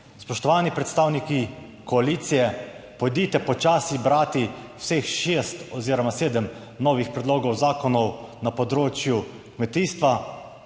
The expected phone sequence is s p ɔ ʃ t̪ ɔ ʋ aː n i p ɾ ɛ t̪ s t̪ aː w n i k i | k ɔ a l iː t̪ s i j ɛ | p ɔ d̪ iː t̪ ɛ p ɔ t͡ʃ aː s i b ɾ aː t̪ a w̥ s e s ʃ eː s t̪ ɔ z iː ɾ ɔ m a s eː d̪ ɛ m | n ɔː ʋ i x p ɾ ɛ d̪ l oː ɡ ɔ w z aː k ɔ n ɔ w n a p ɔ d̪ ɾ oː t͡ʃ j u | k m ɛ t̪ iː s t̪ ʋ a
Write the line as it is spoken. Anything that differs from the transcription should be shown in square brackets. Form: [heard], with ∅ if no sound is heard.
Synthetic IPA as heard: s p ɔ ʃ t̪ ɔ ʋ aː n i p ɾ ɛ t̪ s t̪ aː w n i k i | k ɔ a l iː t̪ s i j ɛ | p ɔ d̪ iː t̪ ɛ p ɔ t͡ʃ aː s i b ɾ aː t̪ [i] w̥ s e [x] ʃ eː s t̪ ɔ z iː ɾ ɔ m a s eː d̪ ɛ m | n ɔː ʋ i x p ɾ ɛ d̪ l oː ɡ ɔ w z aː k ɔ n ɔ w n a p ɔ d̪ ɾ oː t͡ʃ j u | k m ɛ t̪ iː s t̪ ʋ a